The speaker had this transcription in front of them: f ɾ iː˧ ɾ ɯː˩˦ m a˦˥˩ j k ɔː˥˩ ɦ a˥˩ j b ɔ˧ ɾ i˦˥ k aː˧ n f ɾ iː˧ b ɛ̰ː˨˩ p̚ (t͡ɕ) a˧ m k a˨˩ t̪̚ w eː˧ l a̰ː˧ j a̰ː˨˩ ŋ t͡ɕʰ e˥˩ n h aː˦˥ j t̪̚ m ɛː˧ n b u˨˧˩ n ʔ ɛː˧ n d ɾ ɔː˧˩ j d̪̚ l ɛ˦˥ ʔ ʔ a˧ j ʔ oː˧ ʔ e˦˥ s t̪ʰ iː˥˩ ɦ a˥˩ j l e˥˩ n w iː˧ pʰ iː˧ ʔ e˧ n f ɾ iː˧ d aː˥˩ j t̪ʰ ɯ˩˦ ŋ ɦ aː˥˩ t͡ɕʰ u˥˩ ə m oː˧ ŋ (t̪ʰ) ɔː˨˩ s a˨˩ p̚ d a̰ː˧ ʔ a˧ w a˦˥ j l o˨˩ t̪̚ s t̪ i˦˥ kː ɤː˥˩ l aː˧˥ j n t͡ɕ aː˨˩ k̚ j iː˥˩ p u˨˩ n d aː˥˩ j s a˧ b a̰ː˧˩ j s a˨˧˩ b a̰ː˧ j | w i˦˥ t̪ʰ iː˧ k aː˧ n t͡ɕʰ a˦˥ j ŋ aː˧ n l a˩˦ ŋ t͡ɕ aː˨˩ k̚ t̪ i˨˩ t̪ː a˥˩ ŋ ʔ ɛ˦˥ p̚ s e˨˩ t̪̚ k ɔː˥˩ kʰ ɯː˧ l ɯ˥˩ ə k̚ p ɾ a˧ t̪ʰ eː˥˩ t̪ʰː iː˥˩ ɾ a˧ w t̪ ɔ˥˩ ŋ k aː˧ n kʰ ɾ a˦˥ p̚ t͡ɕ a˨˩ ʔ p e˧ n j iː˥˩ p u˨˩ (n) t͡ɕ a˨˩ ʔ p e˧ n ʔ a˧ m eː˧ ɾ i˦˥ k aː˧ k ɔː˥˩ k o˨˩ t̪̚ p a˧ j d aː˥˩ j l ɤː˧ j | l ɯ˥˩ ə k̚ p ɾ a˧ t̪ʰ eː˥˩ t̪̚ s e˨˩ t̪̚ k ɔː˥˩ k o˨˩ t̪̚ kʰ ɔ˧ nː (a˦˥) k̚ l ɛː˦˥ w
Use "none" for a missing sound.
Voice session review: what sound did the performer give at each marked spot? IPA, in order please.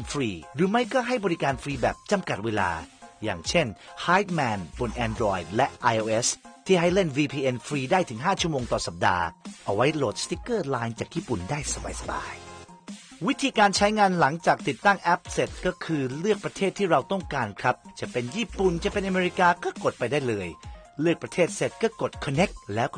t͡ɕ, t̪, n, e˦˥

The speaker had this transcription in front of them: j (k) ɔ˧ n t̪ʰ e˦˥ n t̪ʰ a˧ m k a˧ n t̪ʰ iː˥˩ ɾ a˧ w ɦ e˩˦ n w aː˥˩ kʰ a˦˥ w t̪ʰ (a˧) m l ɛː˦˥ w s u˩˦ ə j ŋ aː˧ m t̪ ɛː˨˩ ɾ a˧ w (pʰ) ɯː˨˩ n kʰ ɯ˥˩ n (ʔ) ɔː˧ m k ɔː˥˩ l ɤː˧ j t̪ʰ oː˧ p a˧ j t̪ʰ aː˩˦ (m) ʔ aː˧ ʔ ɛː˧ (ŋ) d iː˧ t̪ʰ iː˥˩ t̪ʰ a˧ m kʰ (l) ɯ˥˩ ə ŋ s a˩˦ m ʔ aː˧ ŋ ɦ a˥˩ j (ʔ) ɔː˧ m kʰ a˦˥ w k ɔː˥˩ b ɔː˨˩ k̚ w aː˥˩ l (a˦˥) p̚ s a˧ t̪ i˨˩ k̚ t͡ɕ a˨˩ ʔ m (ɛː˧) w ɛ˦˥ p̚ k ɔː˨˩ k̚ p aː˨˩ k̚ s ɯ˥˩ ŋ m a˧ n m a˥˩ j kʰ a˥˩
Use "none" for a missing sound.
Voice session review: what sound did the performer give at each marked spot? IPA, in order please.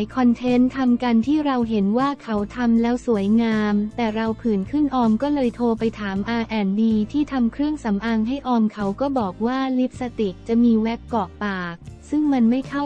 kʰ, a˧, pʰ, ʔ, m, n, ɾ, ʔ, i˦˥, iː˧

